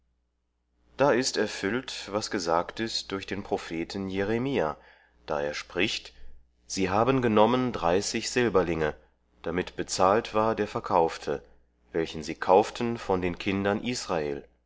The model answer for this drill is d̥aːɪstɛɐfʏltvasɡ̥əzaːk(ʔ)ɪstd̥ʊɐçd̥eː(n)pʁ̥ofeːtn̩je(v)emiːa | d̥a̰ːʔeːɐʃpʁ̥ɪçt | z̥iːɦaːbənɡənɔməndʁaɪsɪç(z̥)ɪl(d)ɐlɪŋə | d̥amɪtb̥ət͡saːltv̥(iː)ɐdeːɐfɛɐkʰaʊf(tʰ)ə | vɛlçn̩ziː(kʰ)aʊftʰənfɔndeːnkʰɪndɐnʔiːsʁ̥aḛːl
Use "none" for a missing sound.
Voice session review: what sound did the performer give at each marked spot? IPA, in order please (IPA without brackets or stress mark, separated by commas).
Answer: t, n, ʁ, z̥, b, aː, tʰ, kʰ